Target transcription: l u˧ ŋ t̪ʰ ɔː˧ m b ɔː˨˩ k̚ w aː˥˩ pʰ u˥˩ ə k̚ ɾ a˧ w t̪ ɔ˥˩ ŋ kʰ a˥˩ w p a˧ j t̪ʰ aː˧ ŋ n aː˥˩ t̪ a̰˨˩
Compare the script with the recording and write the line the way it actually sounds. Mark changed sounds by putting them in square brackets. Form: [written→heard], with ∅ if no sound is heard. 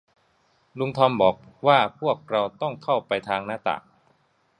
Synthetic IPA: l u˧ ŋ t̪ʰ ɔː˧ m b ɔː˨˩ k̚ w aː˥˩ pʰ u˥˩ ə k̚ ɾ a˧ w t̪ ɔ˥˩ ŋ kʰ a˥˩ w p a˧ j t̪ʰ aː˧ ŋ n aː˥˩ t̪ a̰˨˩